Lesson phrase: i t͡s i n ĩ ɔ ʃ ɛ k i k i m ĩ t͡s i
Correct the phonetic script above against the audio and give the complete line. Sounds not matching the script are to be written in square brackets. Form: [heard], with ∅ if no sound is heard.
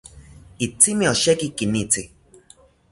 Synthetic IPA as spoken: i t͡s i [m] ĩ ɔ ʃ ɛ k i k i [n] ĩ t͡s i